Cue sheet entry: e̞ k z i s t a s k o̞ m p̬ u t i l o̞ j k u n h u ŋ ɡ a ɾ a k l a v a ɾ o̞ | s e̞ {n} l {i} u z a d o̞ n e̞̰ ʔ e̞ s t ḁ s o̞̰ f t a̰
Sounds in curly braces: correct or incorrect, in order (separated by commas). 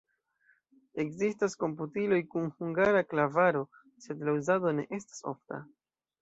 incorrect, incorrect